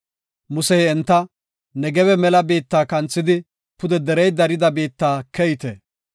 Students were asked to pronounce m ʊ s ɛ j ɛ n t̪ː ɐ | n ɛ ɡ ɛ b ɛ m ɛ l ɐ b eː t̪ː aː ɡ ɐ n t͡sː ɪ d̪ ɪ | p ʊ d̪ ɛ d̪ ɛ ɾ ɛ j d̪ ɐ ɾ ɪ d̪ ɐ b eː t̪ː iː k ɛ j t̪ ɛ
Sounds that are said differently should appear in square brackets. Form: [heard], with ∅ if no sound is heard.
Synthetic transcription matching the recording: m ʊ s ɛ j ɛ n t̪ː ɐ | n ɛ ɡ ɛ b ɛ m ɛ l ɐ b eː t̪ː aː [k] ɐ n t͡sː ɪ d̪ ɪ | p ʊ d̪ ɛ d̪ ɛ ɾ ɛ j d̪ ɐ ɾ ɪ d̪ ɐ b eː t̪ː [aː] k ɛ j t̪ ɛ